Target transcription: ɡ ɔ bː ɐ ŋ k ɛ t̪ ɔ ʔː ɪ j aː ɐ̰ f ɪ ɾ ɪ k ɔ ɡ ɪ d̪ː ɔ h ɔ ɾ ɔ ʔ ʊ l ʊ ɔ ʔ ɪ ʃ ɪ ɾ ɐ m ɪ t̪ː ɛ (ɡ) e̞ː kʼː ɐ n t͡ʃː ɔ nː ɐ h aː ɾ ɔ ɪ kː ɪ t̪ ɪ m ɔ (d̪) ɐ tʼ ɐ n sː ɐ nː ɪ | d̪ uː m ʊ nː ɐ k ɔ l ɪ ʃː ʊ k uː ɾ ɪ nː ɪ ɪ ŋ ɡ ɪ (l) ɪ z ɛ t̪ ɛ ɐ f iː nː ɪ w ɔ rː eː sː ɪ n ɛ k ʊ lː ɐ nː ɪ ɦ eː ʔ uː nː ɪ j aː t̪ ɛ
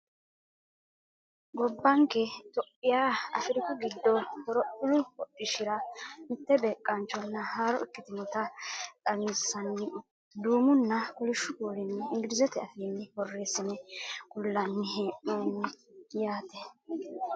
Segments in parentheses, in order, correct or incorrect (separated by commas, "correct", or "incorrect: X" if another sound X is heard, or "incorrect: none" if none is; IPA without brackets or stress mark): incorrect: b, incorrect: t̪, incorrect: ɾ